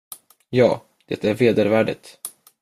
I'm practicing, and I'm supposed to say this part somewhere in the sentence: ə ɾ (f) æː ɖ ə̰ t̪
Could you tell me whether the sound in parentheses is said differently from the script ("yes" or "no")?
yes